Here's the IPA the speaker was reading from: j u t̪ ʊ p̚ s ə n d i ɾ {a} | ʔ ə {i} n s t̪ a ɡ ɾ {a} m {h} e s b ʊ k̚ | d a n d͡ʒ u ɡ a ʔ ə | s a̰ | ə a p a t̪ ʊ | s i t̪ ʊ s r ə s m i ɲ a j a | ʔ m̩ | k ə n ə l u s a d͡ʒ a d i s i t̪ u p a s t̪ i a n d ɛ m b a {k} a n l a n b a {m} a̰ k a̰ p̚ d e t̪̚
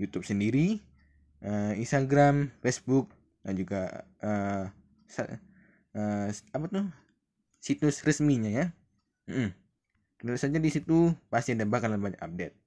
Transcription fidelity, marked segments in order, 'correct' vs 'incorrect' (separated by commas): incorrect, correct, correct, incorrect, correct, incorrect